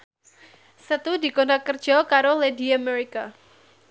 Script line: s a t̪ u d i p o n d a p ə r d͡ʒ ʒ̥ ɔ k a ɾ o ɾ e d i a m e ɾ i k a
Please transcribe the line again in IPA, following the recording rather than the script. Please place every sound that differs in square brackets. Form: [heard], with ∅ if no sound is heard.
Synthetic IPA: s [ə] t̪ u d i [k] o n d a [k] ə r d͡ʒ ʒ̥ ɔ k a ɾ o [l] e d i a m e ɾ i k a